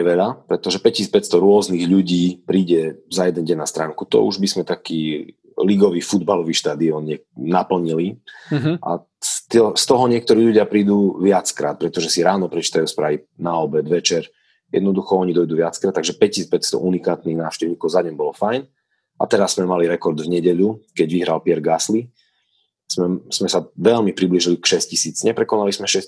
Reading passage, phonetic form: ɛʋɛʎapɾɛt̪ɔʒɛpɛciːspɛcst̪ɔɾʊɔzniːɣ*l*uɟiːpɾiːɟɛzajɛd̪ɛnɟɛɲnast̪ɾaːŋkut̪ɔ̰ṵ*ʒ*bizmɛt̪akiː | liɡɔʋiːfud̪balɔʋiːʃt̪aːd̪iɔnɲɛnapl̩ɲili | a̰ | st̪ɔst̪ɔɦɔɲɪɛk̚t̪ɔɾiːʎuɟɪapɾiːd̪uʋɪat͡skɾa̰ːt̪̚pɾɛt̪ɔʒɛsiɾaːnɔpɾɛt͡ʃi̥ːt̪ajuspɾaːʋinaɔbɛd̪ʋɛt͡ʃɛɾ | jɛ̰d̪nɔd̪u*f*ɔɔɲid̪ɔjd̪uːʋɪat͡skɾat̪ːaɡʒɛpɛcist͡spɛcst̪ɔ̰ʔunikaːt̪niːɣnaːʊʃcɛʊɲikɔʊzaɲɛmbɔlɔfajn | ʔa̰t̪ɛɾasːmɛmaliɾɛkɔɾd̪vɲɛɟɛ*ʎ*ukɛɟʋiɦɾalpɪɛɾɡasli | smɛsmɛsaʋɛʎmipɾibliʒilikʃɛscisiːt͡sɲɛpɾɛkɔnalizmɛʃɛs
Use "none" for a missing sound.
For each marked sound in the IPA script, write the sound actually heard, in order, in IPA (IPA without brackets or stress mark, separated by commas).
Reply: ʎ, ʒ, x, ʎ